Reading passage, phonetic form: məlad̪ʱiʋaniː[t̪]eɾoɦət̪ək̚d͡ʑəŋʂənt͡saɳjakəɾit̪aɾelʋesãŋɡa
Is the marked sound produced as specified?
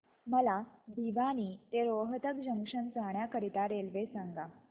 yes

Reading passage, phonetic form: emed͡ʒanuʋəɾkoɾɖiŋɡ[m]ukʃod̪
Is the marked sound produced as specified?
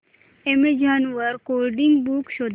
no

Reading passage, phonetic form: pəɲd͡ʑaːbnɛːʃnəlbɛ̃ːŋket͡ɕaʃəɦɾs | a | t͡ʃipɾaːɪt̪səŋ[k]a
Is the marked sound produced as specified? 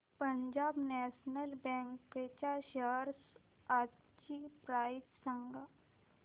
no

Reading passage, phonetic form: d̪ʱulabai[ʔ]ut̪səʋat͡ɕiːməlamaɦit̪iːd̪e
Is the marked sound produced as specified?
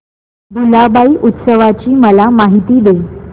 yes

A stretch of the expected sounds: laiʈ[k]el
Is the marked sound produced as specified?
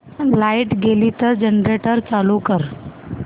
no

